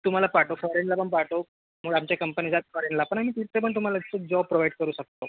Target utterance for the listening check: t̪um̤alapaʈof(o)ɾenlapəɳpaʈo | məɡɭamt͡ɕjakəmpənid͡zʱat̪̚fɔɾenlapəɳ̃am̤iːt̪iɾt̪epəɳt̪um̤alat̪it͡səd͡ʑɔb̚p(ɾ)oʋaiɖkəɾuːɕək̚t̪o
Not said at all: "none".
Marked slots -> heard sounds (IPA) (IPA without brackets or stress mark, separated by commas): ɔ, ɾ